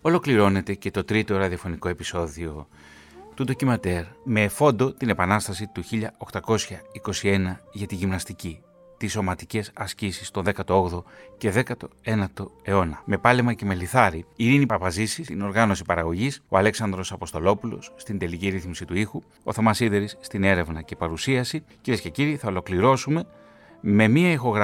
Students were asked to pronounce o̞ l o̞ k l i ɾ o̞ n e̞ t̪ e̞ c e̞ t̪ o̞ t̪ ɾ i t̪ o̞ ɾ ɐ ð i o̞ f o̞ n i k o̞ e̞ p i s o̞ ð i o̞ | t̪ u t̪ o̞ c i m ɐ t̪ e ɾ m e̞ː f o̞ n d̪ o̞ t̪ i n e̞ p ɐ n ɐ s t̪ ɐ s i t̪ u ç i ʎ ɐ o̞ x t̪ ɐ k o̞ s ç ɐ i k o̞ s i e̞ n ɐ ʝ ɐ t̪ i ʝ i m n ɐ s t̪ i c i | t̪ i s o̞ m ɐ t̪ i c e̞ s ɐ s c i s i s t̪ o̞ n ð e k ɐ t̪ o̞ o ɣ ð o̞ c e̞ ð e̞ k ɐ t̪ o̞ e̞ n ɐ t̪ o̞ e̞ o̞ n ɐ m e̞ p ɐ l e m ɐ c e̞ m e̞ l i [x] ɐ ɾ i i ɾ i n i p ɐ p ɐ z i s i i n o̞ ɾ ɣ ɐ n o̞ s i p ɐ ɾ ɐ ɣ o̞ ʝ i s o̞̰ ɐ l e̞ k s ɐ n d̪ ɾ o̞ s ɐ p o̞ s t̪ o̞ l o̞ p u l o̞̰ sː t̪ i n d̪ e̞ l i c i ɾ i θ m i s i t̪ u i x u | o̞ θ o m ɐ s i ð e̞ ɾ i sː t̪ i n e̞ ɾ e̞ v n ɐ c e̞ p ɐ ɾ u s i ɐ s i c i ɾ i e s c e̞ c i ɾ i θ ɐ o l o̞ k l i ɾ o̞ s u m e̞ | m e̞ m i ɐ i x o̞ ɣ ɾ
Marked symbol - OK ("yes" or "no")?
no